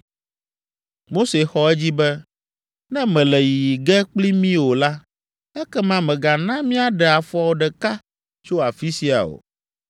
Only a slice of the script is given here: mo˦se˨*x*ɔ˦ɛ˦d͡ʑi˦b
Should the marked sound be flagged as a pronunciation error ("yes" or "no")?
no